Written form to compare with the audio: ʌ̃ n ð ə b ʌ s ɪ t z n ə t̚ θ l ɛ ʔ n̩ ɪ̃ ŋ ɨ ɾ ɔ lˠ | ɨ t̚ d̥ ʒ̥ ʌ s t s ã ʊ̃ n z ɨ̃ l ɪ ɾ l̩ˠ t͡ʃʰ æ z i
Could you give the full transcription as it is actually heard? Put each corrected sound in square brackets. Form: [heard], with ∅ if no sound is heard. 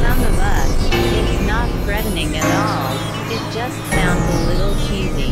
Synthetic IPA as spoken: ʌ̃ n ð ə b ʌ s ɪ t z n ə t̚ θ [ɹ] ɛ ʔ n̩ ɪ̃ ŋ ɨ ɾ ɔ lˠ | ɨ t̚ d̥ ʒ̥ ʌ s t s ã ʊ̃ n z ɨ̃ l ɪ ɾ l̩ˠ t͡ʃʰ [i] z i